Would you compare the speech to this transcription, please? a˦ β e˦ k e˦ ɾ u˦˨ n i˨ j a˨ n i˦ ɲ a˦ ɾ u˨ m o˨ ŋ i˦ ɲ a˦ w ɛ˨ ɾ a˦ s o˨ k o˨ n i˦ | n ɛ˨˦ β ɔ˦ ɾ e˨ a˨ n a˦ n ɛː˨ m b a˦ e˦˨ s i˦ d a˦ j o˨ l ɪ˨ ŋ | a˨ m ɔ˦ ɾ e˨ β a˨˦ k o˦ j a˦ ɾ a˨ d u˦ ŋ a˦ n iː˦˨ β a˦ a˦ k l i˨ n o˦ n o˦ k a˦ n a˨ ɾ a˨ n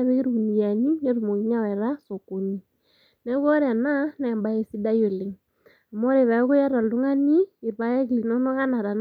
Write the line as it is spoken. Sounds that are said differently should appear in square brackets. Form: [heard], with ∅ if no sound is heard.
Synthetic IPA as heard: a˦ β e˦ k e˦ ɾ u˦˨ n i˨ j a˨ n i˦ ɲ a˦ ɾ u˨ m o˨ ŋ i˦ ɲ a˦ w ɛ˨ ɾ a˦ s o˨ k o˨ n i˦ | n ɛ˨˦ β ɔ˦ ɾ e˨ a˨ n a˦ n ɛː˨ m b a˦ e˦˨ s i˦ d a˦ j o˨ l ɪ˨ ŋ | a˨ m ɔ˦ ɾ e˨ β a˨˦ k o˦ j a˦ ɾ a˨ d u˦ ŋ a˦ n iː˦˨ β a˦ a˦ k l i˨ n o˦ n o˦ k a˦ n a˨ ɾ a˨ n